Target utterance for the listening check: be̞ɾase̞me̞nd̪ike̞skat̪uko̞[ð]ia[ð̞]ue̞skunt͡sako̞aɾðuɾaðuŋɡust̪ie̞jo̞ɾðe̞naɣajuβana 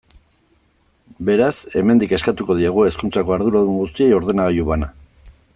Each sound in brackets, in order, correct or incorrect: correct, incorrect

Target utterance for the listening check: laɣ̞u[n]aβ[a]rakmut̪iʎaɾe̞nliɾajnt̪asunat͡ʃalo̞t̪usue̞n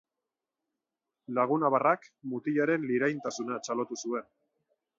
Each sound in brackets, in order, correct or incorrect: correct, correct

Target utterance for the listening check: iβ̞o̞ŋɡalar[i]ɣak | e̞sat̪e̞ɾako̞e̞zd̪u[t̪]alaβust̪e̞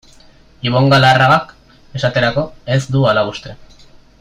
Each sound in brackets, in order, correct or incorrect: incorrect, incorrect

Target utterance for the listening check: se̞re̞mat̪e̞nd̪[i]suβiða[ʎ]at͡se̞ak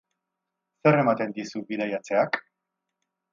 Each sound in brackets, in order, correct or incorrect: correct, incorrect

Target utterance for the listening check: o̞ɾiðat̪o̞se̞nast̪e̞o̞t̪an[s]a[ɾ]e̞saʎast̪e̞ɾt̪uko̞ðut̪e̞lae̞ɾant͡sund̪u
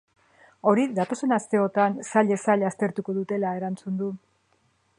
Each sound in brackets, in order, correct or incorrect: correct, incorrect

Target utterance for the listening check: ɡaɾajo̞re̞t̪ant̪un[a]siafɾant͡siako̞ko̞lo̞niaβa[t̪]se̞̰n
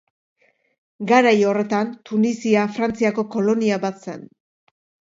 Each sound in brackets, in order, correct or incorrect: incorrect, correct

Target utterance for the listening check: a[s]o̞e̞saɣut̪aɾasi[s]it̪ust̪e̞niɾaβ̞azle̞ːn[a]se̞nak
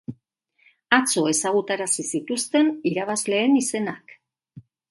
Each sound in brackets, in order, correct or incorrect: incorrect, correct, incorrect

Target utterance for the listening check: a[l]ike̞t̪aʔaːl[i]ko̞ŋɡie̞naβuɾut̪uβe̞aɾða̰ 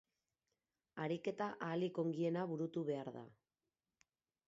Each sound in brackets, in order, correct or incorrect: incorrect, correct

